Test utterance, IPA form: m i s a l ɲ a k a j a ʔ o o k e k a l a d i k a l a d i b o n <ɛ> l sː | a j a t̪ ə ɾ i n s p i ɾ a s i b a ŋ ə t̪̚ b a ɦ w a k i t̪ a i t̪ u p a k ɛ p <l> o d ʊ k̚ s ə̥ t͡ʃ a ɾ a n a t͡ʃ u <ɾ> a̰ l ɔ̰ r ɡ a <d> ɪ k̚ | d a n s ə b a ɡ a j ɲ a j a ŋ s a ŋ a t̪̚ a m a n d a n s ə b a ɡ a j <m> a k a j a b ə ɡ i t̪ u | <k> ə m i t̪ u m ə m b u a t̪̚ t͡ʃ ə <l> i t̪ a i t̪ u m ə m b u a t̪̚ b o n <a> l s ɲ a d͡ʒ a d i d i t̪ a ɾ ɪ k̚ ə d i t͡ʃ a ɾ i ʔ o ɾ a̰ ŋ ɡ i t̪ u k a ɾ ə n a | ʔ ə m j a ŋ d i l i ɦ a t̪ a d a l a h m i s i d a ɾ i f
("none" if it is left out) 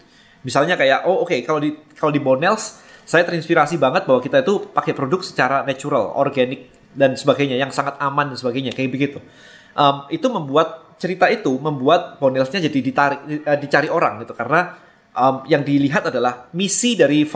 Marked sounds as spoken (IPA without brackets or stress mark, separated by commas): ɛ, ɾ, ɾ, n, ɲ, ʔ, ɾ, ɛ